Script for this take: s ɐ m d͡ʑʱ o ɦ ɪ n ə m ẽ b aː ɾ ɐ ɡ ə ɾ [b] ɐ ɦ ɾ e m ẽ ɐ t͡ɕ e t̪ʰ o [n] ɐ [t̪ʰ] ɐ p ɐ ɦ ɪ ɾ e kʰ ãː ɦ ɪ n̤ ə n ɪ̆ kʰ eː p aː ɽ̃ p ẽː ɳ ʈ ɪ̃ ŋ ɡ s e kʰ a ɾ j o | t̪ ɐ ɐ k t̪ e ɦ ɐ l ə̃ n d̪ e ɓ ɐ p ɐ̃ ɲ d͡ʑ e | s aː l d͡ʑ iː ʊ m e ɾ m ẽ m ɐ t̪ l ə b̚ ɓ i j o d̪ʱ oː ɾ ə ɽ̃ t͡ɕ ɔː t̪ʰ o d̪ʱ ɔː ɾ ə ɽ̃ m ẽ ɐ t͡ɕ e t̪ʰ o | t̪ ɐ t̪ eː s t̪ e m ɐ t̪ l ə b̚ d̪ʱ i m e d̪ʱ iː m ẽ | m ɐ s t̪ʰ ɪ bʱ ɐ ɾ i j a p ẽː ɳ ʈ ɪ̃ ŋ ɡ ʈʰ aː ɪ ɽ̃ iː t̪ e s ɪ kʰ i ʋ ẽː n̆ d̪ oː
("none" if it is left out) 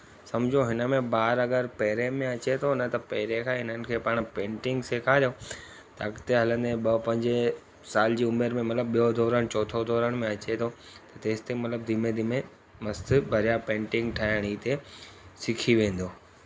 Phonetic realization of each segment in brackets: p, n, t̪

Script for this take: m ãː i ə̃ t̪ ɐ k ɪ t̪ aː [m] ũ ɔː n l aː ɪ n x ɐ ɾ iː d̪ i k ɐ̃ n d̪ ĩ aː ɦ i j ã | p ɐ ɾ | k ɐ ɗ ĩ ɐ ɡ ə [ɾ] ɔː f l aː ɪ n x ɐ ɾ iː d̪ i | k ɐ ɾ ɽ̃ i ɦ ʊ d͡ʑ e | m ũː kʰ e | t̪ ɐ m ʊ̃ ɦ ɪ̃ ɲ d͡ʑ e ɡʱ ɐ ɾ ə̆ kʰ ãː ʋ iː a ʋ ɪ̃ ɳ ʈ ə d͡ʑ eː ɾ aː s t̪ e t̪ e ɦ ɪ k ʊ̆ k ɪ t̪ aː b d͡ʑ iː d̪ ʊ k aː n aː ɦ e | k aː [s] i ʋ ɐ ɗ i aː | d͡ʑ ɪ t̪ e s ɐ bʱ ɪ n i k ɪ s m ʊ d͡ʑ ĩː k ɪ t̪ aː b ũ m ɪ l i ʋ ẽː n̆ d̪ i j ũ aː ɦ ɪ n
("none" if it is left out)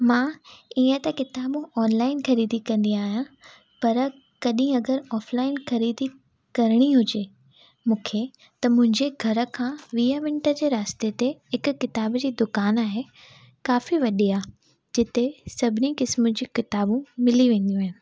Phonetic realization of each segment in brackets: b, ɾ, f

